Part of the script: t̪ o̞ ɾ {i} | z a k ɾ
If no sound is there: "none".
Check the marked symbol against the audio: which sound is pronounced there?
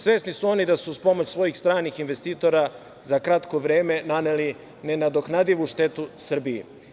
a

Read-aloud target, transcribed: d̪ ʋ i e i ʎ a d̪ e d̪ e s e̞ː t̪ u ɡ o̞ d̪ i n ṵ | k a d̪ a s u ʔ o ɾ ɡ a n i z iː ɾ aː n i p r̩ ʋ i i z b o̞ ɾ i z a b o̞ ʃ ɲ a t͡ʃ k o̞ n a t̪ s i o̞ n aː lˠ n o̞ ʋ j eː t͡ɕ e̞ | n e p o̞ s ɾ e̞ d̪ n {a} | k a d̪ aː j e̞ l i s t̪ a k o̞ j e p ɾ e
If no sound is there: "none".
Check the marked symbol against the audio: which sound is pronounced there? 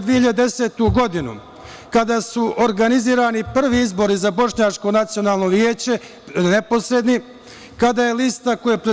i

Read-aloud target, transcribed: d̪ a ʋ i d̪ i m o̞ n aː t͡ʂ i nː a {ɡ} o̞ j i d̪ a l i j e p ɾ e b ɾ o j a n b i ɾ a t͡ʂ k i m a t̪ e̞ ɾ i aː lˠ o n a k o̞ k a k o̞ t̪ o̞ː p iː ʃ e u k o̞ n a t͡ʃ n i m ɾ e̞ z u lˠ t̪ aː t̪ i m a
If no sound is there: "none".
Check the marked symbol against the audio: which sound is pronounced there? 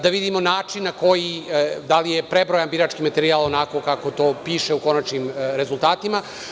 k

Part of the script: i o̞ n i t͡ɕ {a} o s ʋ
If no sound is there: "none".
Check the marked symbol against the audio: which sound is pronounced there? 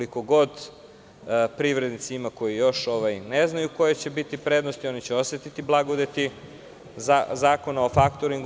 e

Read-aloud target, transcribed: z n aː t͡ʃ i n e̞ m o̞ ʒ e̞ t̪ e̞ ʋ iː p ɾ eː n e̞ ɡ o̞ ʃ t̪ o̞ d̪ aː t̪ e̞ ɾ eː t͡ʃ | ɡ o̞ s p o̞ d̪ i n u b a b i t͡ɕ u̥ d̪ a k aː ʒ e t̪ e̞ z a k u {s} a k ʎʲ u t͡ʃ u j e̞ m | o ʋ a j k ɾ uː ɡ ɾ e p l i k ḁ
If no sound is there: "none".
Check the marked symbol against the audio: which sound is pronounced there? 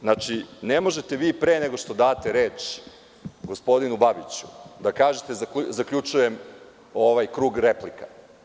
z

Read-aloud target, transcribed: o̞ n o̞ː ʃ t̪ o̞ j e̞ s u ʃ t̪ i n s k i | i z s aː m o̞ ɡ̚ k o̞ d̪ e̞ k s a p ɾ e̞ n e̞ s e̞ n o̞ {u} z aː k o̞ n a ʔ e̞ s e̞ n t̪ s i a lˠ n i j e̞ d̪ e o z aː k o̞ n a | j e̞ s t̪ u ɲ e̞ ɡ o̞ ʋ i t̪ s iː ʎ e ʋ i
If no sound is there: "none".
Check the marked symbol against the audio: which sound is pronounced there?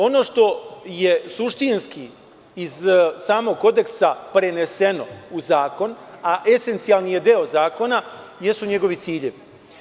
u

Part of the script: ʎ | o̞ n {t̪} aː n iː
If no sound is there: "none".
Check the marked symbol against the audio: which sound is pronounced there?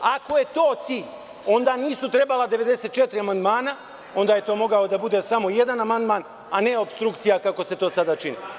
d̪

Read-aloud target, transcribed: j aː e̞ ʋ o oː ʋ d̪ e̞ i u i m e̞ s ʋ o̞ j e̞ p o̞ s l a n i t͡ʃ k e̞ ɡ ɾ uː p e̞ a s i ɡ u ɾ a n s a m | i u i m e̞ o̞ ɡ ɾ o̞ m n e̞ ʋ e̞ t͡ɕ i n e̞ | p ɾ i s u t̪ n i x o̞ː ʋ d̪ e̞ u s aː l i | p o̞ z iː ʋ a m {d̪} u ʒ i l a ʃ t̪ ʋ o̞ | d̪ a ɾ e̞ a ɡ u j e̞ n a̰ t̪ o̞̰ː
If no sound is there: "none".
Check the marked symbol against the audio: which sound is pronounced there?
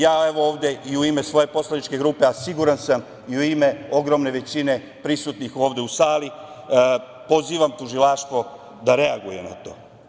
t̪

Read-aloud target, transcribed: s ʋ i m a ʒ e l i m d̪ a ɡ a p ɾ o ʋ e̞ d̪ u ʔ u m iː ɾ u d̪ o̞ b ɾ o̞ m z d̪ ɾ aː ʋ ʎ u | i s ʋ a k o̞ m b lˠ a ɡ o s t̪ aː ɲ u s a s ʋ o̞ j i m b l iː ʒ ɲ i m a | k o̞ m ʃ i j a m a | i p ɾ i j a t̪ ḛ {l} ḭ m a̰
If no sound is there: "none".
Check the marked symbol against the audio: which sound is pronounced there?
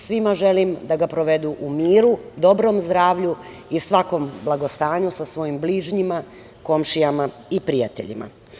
ʎ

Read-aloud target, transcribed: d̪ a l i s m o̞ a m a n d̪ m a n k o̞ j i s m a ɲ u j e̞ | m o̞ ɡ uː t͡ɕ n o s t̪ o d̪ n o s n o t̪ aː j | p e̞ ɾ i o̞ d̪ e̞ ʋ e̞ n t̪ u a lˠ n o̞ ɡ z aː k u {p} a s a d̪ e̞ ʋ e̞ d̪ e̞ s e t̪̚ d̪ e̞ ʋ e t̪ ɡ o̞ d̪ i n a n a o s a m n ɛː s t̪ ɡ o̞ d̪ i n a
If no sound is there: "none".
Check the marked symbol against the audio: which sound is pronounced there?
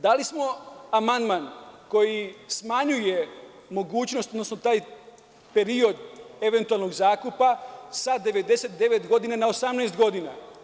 p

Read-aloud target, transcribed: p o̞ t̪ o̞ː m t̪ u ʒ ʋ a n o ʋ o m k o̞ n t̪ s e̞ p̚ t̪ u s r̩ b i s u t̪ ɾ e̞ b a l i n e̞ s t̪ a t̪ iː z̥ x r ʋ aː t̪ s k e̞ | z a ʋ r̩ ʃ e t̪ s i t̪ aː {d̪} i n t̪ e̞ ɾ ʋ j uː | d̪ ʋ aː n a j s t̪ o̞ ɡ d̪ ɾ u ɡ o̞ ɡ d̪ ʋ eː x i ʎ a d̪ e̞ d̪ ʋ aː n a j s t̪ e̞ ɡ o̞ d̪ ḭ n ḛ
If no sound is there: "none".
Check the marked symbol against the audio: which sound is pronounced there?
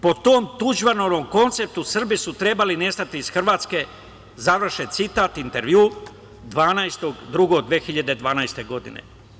t̪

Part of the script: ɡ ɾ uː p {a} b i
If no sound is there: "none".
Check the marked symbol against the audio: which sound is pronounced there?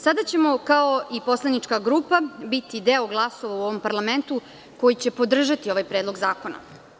a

